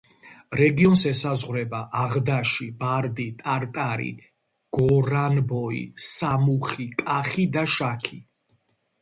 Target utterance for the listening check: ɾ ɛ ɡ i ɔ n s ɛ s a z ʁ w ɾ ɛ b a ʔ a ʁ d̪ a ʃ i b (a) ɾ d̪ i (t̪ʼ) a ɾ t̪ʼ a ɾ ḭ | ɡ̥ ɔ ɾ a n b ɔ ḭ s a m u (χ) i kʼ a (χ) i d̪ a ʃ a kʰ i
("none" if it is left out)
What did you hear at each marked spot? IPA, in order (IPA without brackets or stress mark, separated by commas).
a, t̪ʼ, χ, χ